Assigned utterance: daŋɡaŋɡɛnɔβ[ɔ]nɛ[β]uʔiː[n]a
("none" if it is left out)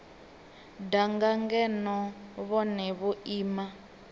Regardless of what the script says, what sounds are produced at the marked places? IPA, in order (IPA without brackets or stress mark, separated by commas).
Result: ɔ, β, m